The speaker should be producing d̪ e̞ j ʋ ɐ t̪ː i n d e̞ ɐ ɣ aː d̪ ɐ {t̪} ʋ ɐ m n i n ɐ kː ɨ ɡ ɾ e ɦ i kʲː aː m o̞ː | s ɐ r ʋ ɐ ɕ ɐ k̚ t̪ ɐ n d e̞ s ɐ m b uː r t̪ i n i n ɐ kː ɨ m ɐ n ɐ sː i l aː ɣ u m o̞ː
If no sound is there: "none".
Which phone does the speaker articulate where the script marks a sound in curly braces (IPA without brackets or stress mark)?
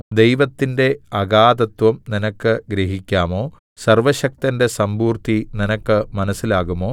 t̪